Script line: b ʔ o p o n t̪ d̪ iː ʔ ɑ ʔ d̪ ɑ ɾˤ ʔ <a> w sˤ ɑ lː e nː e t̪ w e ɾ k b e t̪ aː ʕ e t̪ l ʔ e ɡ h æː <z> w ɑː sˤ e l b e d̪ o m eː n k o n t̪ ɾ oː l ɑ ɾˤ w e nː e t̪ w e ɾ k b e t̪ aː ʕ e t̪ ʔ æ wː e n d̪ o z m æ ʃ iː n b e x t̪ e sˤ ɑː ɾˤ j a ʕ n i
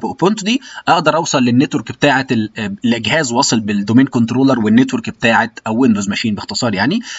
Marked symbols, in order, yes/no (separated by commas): no, yes